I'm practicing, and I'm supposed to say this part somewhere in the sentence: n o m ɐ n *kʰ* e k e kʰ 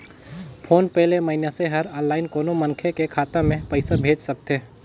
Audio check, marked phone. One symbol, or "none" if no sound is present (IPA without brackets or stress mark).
kʰ